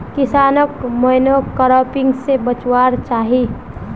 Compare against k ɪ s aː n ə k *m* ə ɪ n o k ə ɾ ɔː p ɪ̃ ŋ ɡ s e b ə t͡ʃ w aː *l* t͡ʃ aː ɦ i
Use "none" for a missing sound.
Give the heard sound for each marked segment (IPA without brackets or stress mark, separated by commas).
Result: m, ɾ